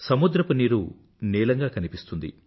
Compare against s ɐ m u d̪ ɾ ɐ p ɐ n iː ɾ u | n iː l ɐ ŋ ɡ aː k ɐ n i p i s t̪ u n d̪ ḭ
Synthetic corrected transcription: s ɐ m u d̪ ɾ ɐ p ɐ n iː ɾ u | n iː l ɐ ŋ ɡ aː k ɐ n i p i s t̪ u n d̪ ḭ